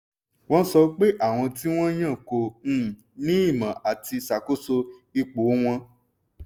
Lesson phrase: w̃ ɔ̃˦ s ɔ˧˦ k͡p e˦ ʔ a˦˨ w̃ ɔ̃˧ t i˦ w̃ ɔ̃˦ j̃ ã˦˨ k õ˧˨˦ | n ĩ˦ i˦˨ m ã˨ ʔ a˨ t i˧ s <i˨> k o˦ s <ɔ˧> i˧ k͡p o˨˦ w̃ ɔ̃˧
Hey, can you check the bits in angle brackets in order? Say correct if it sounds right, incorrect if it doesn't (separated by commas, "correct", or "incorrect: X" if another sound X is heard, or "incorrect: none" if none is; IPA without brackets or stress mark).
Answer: incorrect: a˨, incorrect: o˧